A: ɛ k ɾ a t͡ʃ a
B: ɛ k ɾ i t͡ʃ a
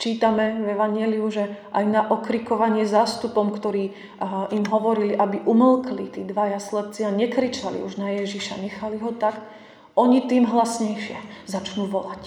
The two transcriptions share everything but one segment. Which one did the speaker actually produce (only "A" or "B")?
B